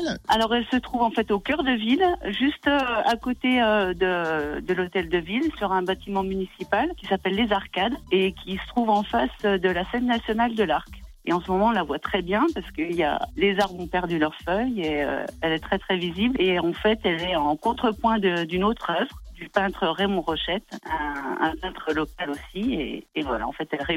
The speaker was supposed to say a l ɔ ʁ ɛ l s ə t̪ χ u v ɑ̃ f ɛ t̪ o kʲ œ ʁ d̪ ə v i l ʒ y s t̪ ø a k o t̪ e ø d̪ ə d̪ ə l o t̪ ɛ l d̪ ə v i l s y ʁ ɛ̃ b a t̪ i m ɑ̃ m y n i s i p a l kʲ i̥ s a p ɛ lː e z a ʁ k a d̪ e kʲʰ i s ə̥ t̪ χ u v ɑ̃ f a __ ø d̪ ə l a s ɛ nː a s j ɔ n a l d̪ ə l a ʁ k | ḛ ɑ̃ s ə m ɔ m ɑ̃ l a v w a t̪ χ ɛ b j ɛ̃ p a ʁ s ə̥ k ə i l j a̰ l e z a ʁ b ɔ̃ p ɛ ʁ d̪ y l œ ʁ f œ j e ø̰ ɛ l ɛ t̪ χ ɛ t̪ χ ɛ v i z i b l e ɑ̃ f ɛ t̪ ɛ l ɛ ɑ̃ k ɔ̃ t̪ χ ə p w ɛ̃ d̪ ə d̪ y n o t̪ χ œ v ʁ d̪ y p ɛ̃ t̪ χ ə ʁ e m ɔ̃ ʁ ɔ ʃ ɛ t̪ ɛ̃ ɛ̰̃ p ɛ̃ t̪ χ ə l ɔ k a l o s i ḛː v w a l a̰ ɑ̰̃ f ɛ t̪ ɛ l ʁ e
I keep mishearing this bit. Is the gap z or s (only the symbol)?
s